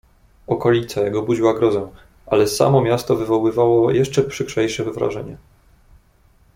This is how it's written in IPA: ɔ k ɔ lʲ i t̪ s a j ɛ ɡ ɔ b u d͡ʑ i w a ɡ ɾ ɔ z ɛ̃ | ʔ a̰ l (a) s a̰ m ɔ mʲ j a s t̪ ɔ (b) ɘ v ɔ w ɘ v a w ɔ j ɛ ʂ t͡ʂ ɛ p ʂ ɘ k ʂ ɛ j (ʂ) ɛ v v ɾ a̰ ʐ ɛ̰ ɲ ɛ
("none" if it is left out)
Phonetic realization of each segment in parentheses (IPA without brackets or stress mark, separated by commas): ɛ, v, ʂ